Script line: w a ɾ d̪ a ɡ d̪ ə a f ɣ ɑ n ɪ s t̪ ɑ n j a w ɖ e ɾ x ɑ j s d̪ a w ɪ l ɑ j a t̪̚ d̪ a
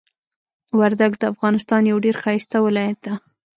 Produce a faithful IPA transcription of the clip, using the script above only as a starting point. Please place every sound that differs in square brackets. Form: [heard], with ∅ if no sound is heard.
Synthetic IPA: w a ɾ d̪ a ɡ d̪ ə a f ɣ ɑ n ɪ s t̪ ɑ n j a w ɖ e ɾ x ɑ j s [t̪] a w ɪ l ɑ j a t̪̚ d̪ a